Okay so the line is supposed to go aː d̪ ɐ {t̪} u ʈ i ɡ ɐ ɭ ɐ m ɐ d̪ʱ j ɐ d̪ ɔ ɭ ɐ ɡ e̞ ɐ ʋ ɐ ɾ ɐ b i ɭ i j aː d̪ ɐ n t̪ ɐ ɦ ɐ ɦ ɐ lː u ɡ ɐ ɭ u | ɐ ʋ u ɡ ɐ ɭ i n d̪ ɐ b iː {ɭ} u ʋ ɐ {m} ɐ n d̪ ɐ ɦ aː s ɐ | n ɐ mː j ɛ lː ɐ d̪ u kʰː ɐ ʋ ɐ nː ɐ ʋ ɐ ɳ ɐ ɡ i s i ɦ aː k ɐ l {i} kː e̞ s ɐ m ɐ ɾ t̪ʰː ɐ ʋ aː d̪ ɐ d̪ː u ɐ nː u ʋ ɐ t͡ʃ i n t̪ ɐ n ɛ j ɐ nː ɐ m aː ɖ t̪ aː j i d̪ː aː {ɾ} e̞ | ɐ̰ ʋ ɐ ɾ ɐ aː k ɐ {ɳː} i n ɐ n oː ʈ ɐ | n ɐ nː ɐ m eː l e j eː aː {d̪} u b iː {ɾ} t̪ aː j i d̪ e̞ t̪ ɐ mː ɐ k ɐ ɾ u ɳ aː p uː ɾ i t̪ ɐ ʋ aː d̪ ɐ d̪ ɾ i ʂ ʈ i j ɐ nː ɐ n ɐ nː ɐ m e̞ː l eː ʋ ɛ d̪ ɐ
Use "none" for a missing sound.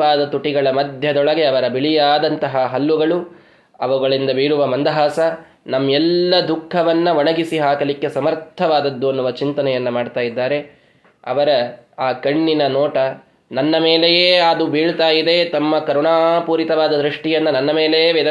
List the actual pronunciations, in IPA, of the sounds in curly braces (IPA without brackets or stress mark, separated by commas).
t̪, ɾ, m, i, ɾ, ɳː, d̪, ɭ